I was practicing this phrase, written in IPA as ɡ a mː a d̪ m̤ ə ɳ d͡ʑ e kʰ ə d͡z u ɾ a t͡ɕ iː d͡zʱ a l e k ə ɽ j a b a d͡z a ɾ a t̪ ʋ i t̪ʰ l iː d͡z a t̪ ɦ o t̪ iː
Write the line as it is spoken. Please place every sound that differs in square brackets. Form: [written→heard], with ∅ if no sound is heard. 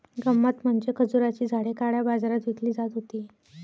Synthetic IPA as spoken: ɡ [a→ə] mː a [d̪→t̪] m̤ ə ɳ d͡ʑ e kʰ ə d͡z u ɾ a t͡ɕ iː d͡zʱ a [l→ɽ] e k [ə→a] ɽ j a b a d͡z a ɾ a t̪ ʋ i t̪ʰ l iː d͡z a t̪ ɦ o t̪ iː